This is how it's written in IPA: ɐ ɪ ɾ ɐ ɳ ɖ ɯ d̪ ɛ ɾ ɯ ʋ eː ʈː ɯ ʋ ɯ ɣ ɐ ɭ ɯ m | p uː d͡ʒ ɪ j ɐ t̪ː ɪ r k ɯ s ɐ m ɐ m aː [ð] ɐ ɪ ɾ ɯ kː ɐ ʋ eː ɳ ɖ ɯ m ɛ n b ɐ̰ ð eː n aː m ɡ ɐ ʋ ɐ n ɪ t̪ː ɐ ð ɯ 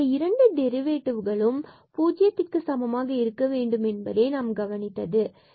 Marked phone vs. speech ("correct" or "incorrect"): incorrect